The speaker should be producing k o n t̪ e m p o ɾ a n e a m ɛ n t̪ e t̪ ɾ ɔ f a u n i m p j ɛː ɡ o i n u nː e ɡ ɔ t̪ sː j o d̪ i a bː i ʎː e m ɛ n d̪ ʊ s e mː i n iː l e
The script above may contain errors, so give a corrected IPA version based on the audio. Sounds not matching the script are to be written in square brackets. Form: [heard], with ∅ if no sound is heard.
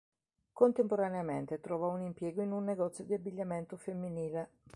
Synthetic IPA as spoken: k o n t̪ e m p o ɾ a n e a m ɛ n t̪ e t̪ ɾ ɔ [v] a u n i m p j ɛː ɡ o i n u nː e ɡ ɔ t̪ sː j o d̪ i a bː i ʎː [a] m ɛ n [t̪] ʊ [f] e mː i n iː l e